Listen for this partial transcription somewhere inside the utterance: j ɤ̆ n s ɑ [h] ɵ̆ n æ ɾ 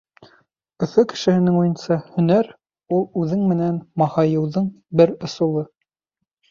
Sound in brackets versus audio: correct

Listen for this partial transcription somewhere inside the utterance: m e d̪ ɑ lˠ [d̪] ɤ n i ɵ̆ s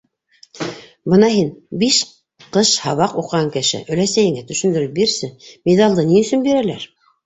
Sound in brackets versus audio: correct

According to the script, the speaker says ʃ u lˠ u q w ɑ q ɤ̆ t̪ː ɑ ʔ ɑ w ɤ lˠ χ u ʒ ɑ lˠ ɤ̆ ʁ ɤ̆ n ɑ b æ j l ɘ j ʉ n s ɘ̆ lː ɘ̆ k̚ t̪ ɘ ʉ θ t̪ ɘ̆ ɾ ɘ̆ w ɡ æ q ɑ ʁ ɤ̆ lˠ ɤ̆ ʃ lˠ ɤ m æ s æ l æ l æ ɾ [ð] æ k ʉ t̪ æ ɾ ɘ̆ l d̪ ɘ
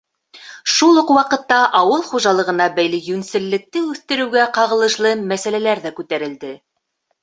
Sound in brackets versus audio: correct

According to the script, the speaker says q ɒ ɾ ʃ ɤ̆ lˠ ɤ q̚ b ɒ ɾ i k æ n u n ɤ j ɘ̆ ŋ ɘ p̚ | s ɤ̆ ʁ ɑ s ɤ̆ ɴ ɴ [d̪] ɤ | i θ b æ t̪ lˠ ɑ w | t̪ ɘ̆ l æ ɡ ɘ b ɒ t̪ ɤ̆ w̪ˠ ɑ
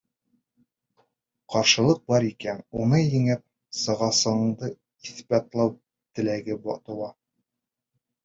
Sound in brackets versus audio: correct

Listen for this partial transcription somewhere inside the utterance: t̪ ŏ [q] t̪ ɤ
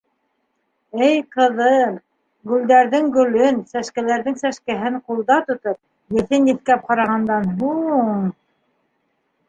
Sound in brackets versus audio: incorrect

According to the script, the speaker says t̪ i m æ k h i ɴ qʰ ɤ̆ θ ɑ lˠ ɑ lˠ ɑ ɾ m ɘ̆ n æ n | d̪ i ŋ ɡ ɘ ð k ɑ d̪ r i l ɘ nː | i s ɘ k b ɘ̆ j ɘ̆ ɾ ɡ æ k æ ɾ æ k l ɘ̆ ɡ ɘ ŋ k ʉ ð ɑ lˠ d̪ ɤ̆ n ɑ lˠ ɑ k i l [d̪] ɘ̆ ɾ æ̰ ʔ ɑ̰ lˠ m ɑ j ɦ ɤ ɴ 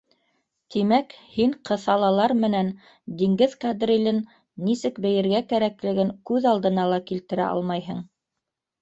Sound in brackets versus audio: incorrect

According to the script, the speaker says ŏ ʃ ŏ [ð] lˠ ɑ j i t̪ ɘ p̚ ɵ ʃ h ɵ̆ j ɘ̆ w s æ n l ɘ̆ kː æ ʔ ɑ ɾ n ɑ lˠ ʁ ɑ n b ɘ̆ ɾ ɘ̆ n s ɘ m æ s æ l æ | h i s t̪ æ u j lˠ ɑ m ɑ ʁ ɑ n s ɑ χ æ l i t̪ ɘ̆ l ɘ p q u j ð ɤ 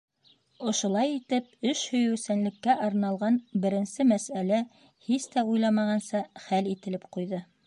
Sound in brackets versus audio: incorrect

